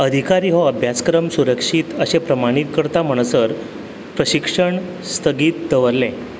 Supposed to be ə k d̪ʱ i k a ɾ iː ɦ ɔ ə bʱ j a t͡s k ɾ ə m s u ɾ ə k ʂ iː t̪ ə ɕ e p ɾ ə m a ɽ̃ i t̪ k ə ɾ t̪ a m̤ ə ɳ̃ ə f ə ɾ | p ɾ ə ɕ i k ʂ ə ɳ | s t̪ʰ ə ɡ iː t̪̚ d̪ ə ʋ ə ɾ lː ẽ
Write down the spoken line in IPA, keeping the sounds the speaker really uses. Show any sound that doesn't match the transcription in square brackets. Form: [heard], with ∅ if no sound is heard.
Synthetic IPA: ə [∅] d̪ʱ i k a ɾ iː ɦ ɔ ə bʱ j a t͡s k ɾ ə m s u ɾ ə k ʂ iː t̪ ə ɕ e p ɾ ə m a ɽ̃ i t̪ k ə ɾ t̪ a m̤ ə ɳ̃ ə [s] ə ɾ | p ɾ ə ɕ i k ʂ ə ɳ | s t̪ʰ ə ɡ iː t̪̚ d̪ ə ʋ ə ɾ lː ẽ